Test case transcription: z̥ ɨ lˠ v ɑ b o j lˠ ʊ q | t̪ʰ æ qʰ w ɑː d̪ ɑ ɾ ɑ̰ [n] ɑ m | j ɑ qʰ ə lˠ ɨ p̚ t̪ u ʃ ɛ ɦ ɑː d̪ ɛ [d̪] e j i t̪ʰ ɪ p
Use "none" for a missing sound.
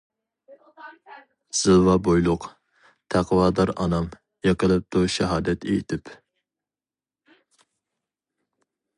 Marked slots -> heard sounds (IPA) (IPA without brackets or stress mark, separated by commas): n, t̪